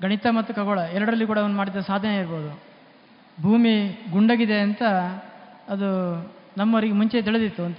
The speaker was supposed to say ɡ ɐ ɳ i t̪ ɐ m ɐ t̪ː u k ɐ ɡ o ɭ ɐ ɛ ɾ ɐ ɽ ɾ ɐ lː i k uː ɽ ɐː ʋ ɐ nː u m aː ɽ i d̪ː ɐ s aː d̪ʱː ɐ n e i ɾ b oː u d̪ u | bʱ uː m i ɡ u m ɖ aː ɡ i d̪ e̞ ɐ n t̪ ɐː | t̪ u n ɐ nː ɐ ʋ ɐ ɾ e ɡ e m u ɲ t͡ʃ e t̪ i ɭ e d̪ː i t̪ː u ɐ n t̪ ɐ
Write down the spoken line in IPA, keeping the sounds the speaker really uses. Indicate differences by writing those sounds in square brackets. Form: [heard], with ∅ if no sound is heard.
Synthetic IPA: ɡ ɐ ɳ i t̪ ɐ m ɐ t̪ː u k ɐ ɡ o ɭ ɐ ɛ ɾ ɐ ɽ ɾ ɐ lː i k uː ɽ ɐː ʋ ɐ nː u m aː ɽ i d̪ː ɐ s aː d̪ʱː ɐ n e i ɾ b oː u d̪ u | bʱ uː m i ɡ u [ɳ] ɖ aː ɡ i d̪ e̞ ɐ n t̪ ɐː | [d̪] u n ɐ [mː] ɐ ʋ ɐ ɾ [i] ɡ e m u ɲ t͡ʃ e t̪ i ɭ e [d̪] i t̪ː u ɐ n t̪ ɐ